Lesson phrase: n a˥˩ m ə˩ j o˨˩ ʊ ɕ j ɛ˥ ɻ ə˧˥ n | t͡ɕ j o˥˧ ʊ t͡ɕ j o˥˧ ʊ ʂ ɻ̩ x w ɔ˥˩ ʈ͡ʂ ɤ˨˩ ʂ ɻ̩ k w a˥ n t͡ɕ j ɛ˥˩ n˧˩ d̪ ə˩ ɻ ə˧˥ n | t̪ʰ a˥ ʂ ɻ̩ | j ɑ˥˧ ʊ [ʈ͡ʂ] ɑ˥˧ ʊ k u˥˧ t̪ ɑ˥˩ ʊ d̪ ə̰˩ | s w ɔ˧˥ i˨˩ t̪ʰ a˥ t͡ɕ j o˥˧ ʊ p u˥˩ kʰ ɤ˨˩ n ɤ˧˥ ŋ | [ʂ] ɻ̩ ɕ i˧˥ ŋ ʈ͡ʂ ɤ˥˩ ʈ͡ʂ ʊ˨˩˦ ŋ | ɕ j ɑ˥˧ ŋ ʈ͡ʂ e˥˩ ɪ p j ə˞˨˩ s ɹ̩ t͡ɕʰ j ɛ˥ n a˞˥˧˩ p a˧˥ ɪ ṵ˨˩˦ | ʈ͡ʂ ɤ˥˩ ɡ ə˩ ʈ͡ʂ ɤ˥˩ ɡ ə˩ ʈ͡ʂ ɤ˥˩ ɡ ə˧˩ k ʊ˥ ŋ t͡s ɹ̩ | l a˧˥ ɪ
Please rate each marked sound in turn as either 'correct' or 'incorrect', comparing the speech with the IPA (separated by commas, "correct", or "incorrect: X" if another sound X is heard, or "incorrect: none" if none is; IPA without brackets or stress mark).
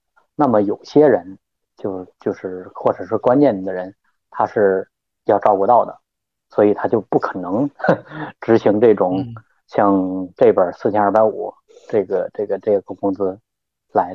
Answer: correct, incorrect: ʈ͡ʂ